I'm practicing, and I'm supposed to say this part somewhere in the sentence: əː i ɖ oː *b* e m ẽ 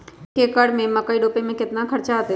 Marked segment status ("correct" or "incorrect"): incorrect